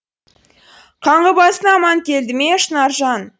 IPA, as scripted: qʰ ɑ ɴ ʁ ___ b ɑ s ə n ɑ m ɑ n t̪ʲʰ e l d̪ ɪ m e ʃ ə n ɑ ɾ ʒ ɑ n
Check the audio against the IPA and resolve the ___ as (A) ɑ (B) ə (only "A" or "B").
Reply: B